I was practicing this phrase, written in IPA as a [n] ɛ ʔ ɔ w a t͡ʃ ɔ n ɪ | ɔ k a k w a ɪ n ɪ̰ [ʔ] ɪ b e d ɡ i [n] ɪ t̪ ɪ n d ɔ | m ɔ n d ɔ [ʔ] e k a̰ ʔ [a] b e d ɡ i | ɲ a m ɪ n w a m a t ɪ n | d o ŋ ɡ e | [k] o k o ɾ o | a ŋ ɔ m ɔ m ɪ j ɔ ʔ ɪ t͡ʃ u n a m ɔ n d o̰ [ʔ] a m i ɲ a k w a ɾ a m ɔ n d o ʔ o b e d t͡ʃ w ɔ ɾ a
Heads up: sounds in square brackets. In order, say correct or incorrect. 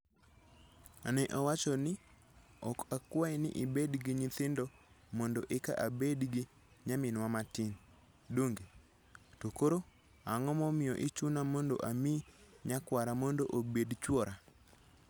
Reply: correct, correct, incorrect, correct, correct, incorrect, correct

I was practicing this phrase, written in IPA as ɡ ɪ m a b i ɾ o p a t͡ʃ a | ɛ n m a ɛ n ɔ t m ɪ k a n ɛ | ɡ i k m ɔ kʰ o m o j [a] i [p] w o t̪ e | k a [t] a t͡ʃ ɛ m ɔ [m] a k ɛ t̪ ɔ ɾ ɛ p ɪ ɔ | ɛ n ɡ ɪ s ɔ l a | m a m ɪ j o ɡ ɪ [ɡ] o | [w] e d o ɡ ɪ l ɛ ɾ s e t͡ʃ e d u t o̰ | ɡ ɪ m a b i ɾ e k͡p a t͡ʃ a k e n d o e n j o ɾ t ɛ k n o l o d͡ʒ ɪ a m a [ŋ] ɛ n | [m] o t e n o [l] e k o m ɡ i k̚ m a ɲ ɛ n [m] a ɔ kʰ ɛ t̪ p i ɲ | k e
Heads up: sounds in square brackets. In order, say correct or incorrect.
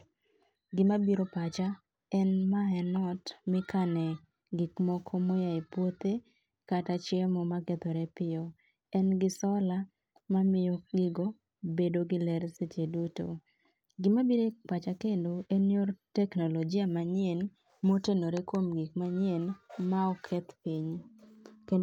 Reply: correct, correct, correct, correct, correct, incorrect, incorrect, correct, incorrect, correct

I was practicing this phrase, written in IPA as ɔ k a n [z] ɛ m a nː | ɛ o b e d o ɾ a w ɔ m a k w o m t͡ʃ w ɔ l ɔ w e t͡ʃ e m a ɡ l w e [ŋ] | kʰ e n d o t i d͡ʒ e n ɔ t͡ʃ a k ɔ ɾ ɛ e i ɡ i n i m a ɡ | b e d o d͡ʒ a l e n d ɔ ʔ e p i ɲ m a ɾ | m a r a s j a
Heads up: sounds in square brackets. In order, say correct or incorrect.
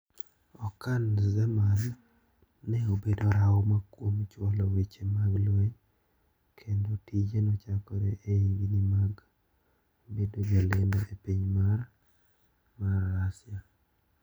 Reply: correct, incorrect

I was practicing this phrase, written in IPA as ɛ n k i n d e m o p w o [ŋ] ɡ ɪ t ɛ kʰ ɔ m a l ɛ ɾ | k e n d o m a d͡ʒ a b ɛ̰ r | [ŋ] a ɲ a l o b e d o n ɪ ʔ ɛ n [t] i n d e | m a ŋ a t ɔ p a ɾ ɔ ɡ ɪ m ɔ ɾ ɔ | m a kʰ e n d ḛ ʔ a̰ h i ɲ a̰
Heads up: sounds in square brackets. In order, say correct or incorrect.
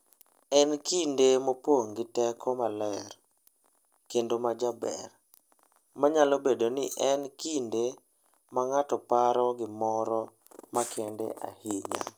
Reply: correct, incorrect, incorrect

